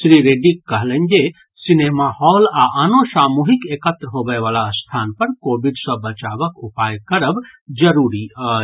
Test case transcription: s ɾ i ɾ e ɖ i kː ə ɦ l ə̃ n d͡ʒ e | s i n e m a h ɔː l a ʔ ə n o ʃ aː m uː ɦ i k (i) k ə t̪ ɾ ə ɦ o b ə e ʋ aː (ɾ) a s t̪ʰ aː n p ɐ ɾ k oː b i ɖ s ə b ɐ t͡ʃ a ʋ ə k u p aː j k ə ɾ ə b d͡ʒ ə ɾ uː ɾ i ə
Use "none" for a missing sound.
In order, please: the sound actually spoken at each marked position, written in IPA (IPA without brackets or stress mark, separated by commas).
e, l